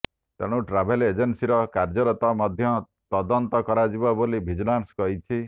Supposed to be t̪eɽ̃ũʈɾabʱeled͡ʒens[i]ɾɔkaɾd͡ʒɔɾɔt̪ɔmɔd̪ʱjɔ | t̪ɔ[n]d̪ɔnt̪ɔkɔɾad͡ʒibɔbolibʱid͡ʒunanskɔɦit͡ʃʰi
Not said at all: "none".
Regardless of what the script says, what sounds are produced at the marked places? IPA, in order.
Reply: i, none

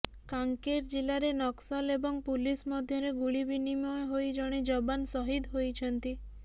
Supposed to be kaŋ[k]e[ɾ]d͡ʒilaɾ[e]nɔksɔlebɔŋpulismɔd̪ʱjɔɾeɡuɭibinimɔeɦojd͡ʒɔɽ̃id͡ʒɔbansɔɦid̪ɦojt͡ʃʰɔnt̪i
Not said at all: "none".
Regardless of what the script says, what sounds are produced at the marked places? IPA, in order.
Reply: k, ɾ, e

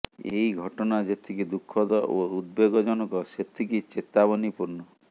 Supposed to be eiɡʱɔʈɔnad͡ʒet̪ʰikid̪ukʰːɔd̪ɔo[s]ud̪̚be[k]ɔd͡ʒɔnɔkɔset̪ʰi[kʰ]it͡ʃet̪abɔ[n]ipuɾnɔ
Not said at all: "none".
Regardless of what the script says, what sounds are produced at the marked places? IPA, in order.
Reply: none, ɡ, k, n

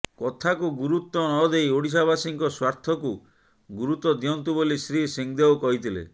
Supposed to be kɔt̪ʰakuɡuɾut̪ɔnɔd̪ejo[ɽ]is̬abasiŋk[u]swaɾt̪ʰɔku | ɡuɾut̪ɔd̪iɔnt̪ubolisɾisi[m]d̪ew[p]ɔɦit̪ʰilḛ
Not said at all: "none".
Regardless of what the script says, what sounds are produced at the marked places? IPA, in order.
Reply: ɽ, ɔ, ŋ, k

